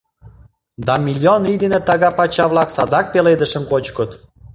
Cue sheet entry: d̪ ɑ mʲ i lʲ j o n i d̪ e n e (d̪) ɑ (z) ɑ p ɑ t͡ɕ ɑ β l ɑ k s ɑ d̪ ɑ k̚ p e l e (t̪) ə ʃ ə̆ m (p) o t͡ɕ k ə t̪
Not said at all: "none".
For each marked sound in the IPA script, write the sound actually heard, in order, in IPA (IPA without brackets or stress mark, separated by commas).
t̪, ɣ, d̪, k